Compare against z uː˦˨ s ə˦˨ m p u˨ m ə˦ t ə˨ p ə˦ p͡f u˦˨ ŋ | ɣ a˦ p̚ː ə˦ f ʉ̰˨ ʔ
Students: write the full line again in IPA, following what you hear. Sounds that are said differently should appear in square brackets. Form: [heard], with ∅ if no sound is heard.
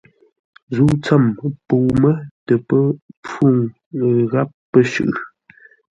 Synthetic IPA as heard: z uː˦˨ [t͡s] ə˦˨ m p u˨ m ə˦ t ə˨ p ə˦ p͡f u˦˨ ŋ | ɣ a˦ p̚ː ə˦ [ʃ] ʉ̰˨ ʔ